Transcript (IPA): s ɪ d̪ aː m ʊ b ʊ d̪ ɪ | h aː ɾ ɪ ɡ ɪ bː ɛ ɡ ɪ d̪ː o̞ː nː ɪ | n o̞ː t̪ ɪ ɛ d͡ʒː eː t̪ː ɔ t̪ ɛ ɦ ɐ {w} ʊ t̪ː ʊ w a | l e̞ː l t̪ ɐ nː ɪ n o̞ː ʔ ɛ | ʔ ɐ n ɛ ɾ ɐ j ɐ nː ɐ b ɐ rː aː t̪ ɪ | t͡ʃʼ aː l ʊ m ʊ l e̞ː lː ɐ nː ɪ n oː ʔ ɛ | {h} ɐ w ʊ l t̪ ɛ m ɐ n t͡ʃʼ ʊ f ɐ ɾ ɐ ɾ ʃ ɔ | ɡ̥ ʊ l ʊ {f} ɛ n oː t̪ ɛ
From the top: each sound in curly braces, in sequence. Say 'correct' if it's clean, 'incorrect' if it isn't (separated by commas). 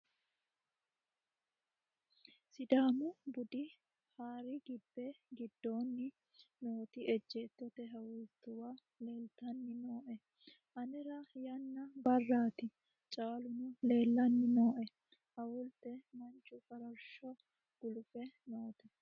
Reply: correct, correct, correct